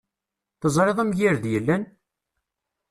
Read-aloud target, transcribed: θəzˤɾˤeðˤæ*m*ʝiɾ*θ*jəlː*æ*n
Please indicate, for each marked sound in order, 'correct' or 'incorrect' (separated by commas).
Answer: correct, incorrect, correct